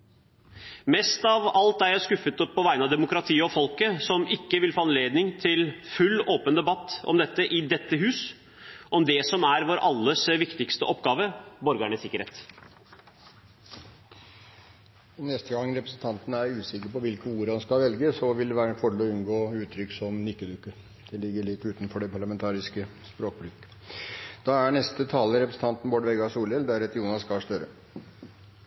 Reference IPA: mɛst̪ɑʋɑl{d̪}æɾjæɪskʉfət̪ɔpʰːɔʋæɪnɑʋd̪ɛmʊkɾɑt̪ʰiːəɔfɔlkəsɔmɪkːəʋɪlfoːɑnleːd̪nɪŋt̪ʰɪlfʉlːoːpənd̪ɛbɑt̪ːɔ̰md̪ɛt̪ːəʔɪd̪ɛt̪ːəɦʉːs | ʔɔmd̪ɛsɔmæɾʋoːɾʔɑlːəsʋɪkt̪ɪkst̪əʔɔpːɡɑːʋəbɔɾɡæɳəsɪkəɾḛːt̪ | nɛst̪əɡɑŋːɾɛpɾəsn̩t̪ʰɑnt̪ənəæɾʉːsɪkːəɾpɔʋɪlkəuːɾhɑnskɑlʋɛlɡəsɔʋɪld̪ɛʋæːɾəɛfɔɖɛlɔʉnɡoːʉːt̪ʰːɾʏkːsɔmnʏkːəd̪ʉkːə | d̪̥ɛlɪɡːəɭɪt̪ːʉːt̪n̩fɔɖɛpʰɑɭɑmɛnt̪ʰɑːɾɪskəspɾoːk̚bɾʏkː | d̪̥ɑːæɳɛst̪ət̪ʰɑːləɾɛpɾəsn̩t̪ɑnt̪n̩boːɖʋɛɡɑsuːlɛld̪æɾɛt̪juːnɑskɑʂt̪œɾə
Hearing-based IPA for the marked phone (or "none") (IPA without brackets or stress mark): t̪